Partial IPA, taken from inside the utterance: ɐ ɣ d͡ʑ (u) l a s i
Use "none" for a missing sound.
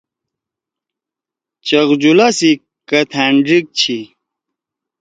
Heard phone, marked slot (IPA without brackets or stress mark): u